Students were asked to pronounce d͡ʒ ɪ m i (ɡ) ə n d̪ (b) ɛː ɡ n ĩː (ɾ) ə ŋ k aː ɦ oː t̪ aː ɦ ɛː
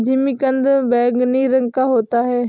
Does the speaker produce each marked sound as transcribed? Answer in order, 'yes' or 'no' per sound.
no, yes, yes

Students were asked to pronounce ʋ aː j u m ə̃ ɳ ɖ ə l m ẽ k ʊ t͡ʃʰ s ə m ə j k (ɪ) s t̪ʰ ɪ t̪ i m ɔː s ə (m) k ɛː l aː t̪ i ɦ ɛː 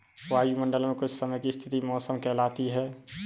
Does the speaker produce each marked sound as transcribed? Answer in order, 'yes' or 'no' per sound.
no, yes

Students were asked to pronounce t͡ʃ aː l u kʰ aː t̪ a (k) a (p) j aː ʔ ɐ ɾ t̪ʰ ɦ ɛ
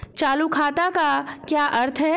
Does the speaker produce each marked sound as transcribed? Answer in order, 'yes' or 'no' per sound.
yes, no

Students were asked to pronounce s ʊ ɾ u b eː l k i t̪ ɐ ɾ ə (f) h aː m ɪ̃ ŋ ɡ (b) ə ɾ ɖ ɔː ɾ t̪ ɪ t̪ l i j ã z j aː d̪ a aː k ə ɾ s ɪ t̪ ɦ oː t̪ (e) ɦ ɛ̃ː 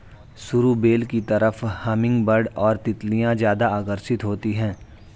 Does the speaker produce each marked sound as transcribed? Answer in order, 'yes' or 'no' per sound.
yes, yes, no

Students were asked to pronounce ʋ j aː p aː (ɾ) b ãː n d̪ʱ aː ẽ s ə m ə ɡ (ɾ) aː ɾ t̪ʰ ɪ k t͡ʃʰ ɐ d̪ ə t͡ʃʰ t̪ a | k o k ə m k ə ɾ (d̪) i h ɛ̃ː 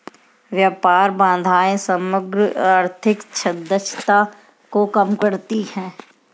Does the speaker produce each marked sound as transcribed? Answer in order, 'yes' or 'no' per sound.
yes, yes, no

